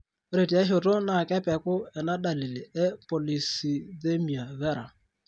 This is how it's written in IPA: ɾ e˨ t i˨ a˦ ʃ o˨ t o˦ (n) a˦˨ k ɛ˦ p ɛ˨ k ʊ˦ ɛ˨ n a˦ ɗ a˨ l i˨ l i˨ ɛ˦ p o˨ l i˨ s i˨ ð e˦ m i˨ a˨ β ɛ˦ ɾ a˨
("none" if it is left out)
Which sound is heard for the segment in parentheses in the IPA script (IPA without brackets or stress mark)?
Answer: n